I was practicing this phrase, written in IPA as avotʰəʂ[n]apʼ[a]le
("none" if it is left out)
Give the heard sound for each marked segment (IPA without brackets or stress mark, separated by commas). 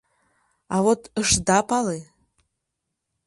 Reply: d, a